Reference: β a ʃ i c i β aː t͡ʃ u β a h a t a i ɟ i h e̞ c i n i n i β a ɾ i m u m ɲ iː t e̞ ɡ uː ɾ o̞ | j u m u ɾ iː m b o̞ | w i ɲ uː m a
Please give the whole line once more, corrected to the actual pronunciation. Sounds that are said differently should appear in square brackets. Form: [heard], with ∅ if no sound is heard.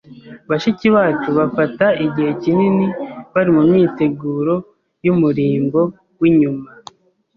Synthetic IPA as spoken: β a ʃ i c i β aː t͡ʃ u β a [f] a t a i ɟ i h e̞ c i n i n i β a ɾ i m u m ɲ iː t e̞ ɡ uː ɾ o̞ | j u m u ɾ iː m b o̞ | w i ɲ [u] m a